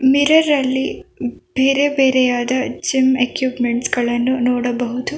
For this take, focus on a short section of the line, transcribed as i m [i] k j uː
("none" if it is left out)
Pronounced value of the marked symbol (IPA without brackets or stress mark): e